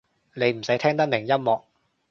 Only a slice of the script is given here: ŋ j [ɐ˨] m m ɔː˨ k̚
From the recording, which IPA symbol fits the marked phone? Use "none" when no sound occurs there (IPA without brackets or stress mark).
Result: ɐ˥